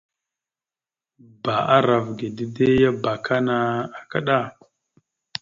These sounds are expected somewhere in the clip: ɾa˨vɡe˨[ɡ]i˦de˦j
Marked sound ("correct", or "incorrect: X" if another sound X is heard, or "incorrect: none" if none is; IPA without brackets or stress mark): incorrect: d